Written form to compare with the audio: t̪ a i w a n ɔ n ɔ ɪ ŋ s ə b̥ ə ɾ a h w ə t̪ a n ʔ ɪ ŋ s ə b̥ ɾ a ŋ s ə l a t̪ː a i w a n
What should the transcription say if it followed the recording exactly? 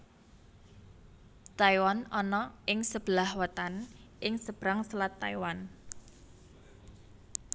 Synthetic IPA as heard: t̪ a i w a n ɔ n ɔ ɪ ŋ s ə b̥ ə l a h w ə t̪ a n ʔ ɪ ŋ s ə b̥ ɾ a ŋ s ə l a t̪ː a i w a n